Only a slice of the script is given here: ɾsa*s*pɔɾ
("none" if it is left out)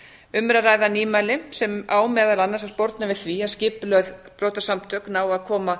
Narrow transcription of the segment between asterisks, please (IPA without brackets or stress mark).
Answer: s